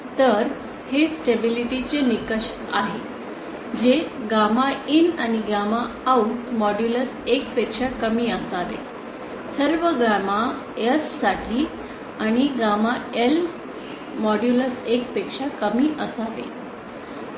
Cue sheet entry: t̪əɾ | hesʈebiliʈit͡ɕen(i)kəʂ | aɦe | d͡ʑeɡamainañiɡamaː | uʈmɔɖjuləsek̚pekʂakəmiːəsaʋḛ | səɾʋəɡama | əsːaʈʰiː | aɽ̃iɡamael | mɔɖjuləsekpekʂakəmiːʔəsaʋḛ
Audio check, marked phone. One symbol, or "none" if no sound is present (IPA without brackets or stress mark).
i